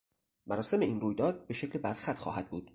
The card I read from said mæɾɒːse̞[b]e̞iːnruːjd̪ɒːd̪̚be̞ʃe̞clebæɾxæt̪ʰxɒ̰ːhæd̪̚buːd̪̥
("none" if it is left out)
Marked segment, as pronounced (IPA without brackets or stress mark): m